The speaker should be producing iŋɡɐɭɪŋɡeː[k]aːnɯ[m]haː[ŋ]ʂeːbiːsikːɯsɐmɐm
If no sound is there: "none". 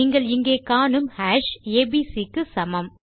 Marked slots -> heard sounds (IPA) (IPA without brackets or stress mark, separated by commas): k, m, none